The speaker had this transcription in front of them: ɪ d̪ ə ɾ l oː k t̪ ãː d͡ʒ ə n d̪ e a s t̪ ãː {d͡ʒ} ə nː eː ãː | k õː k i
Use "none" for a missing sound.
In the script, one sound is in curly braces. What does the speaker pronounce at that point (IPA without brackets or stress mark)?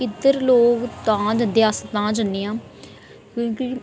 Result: d͡ʒ